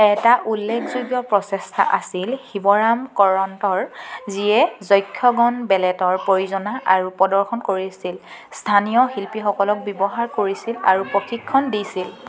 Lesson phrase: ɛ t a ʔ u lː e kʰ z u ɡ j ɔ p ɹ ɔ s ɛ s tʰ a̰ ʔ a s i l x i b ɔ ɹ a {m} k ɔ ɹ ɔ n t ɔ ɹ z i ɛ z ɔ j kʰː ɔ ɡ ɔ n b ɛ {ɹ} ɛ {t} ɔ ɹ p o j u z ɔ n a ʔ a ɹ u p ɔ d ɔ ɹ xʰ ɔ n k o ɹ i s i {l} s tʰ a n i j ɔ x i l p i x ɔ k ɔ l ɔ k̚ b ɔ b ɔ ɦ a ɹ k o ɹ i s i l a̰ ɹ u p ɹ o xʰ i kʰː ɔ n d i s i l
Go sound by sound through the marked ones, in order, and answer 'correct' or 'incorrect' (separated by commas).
correct, incorrect, correct, correct